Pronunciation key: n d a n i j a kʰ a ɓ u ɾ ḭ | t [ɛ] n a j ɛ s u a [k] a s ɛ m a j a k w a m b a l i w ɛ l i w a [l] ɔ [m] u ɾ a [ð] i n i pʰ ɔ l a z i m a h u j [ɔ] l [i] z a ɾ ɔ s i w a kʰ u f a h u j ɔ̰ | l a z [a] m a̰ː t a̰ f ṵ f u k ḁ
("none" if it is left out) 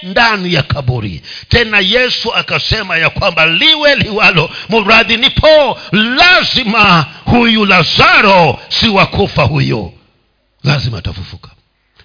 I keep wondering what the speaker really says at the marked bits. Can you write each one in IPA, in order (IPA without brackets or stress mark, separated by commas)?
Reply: ɛ, k, l, m, ð, u, a, i